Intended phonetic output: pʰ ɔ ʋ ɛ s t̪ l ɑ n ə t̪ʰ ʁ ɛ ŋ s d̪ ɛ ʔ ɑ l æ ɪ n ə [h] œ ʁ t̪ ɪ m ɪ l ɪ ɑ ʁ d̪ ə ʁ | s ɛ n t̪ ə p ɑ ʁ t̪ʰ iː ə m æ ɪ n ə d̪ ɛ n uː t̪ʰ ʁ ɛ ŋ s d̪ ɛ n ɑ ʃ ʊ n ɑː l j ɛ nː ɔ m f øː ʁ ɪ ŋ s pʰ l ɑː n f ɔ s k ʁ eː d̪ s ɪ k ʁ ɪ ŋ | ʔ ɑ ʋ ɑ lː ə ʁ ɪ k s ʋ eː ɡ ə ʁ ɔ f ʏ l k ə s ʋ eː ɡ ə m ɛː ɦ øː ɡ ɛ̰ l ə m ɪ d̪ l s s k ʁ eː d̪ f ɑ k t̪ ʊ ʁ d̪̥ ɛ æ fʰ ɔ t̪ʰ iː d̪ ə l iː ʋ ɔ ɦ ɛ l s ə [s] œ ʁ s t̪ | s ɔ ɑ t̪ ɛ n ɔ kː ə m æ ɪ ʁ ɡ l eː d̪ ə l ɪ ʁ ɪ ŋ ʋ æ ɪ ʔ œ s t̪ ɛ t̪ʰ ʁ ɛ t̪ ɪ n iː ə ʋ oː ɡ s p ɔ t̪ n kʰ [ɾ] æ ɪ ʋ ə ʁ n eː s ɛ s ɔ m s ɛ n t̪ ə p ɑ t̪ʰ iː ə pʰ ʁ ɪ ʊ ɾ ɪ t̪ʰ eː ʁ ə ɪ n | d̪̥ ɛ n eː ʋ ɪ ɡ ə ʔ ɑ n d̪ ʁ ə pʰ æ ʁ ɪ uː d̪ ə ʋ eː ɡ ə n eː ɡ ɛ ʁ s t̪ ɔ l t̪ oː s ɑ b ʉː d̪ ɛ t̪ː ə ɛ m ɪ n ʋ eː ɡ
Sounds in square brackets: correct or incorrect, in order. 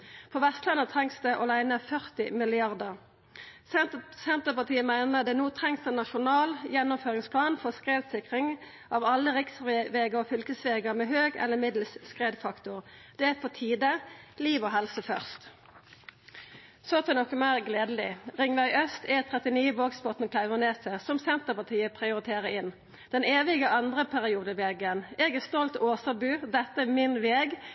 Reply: incorrect: f, incorrect: f, incorrect: l

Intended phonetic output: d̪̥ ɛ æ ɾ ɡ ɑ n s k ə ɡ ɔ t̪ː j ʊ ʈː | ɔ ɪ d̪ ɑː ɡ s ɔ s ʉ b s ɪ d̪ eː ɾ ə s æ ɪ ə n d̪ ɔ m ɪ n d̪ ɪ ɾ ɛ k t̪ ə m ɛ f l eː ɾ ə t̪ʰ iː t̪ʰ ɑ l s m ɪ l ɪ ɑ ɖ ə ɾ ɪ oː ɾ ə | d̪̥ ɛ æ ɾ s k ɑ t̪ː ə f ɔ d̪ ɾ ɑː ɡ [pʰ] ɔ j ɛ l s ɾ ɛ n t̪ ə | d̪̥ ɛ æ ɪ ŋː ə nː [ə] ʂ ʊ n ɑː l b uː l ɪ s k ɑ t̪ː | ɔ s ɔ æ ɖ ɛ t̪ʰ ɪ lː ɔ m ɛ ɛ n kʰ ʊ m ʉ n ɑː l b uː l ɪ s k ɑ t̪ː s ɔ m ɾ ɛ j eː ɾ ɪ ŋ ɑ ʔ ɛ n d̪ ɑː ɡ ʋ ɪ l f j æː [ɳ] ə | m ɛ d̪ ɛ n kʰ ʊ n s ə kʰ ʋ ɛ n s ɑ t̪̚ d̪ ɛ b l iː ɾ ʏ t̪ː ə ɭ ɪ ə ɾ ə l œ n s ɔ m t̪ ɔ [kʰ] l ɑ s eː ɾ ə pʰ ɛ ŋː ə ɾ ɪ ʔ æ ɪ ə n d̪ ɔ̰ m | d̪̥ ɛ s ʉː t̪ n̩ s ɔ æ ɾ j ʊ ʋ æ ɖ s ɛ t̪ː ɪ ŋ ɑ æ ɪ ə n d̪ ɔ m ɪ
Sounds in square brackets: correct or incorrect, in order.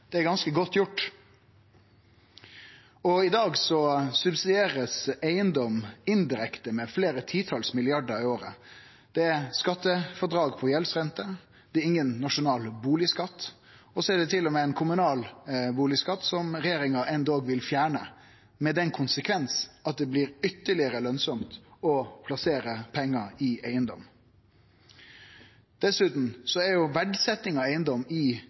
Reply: correct, incorrect: ɑ, correct, incorrect: pʰ

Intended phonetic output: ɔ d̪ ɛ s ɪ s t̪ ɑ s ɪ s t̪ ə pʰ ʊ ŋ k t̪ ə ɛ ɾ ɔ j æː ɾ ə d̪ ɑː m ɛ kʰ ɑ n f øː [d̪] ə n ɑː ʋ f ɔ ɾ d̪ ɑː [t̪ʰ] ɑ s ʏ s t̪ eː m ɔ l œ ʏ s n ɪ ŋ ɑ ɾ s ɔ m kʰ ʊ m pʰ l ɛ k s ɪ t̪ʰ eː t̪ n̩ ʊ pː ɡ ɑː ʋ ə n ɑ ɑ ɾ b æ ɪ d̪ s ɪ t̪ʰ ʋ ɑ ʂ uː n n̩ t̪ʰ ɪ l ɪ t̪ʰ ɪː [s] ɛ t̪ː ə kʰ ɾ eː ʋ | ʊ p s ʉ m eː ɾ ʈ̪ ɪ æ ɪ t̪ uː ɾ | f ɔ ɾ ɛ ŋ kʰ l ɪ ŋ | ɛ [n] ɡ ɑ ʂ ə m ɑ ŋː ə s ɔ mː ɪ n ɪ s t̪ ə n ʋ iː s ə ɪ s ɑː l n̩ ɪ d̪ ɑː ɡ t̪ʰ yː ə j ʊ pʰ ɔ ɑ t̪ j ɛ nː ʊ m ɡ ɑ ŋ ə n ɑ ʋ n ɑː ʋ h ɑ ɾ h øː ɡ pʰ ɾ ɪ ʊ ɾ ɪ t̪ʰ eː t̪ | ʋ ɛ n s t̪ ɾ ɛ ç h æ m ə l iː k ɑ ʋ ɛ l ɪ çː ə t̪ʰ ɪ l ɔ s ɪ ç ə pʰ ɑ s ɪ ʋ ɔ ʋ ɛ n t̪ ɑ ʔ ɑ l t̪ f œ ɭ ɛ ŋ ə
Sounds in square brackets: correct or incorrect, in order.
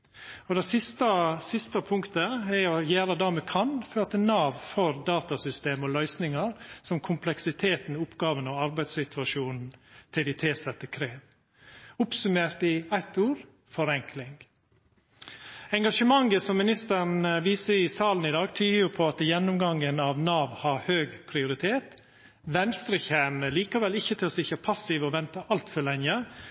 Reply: incorrect: t̪, incorrect: t̪, correct, incorrect: ŋ

